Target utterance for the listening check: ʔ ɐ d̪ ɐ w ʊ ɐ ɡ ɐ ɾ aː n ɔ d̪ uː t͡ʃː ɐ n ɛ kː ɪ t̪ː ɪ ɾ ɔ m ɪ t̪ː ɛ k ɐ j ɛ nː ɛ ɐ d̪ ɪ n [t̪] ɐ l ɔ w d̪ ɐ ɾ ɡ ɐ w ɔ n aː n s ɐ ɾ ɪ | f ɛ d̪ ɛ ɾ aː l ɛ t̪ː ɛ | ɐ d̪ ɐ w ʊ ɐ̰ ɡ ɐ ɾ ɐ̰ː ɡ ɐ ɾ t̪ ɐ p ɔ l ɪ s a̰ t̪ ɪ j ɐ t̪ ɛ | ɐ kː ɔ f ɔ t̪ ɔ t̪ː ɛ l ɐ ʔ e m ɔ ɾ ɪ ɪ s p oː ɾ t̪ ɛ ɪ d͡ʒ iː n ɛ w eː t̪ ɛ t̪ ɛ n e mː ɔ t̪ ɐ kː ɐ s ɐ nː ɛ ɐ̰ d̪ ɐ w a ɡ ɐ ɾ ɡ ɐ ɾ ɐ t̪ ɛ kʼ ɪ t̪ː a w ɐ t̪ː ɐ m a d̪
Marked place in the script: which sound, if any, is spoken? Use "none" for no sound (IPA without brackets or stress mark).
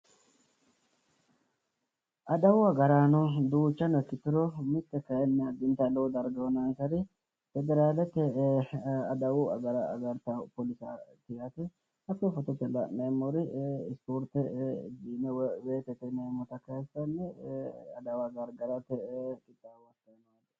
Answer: t̪